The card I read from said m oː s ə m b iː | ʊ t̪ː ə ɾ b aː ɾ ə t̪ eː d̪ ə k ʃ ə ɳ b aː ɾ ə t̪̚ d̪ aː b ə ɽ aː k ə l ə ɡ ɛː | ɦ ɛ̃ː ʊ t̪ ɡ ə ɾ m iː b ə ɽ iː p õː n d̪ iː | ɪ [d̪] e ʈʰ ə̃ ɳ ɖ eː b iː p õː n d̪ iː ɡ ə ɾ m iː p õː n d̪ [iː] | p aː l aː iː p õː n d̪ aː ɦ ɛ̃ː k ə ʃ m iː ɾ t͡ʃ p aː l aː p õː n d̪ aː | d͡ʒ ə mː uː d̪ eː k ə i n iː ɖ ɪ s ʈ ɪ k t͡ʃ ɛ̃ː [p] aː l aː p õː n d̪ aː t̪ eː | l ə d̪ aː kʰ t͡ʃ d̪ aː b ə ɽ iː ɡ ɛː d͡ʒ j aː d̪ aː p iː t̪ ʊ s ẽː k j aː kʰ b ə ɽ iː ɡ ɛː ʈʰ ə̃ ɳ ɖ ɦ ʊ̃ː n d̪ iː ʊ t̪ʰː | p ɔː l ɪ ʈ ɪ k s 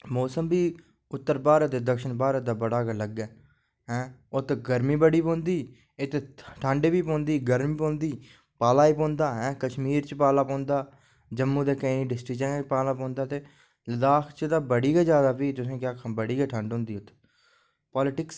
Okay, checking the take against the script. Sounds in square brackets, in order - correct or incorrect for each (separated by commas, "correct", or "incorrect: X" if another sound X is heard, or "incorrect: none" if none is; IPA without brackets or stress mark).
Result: incorrect: t̪, correct, correct